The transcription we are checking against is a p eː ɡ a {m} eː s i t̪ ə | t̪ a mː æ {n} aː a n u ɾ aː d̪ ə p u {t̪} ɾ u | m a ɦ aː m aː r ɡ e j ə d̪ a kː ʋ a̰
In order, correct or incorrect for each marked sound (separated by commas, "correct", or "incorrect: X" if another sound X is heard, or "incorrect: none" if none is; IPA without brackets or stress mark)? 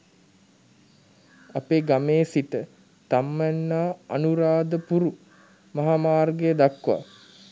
correct, incorrect: nː, incorrect: none